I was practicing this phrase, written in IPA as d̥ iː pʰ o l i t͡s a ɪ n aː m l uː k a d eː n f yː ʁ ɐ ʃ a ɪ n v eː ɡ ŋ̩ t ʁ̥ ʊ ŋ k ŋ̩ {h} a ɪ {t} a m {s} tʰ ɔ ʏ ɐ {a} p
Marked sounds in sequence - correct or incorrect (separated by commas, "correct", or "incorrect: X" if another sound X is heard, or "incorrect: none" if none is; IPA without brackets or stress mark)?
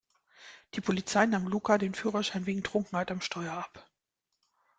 correct, correct, incorrect: ʃ, correct